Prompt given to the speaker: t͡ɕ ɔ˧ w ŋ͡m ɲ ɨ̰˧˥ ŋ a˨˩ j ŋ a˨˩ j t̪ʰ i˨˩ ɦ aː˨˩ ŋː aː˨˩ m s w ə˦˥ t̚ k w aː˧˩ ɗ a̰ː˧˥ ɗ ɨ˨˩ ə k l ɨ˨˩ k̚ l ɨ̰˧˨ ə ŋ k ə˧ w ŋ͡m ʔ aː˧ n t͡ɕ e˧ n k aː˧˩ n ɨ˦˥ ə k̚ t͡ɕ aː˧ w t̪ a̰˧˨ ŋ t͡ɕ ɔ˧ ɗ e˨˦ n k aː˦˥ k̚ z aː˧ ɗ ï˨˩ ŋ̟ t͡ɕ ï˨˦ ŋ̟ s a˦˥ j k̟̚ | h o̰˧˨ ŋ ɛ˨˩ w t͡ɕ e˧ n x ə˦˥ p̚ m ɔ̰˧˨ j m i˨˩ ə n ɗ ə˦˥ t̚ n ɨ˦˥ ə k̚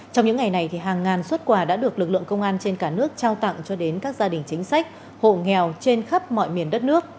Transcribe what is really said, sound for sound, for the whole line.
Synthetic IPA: t͡ɕ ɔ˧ w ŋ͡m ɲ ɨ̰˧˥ ŋ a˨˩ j n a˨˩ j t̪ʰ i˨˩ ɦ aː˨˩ ŋː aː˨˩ n s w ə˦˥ t̚ k w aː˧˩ ɗ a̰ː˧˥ ɗ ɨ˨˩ ə k l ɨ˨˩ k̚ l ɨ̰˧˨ ə ŋ k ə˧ w ŋ͡m ʔ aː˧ n t͡ɕ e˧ n k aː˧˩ n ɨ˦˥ ə k̚ t͡ɕ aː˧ w t̪ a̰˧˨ ŋ t͡ɕ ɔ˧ ɗ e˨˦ n k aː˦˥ k̚ z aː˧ ɗ ï˨˩ ŋ̟ t͡ɕ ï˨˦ ŋ̟ s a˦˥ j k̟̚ | h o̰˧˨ ŋ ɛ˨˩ w t͡ɕ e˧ n x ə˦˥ p̚ m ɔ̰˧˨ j m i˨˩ ə n ɗ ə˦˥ t̚ n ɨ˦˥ ə k̚